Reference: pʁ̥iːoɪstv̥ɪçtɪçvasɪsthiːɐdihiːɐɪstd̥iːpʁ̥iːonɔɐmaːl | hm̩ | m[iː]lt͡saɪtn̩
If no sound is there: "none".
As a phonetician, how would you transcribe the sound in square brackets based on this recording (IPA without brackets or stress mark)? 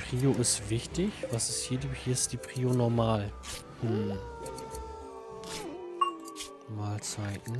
aː